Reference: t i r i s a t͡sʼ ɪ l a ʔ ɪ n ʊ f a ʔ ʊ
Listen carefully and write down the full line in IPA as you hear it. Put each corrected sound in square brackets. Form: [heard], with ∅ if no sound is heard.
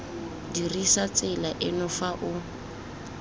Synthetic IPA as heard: [d] i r i s a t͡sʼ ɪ l a ʔ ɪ n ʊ f a ʔ ʊ